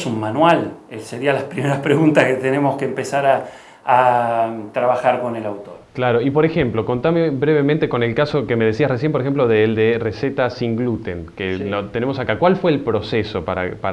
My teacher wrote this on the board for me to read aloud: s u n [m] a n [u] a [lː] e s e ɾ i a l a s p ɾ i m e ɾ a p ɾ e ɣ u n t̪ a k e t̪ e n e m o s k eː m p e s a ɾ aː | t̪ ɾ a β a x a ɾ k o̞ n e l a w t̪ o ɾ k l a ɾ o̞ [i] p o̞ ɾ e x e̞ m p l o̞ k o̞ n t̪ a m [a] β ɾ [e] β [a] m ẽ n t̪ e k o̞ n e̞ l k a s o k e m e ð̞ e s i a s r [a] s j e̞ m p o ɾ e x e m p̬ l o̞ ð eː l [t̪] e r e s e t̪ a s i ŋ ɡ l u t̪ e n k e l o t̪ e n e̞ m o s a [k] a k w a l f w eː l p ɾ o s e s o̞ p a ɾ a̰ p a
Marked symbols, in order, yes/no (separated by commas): yes, no, no, yes, no, yes, no, no, no, yes